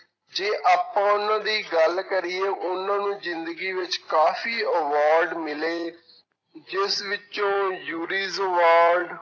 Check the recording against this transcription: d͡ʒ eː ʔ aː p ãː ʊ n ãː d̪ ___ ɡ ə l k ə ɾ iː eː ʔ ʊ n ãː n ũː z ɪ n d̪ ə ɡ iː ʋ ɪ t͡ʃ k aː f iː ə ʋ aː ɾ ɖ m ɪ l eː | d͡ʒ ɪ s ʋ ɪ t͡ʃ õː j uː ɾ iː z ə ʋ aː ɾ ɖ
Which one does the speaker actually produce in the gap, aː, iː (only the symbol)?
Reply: iː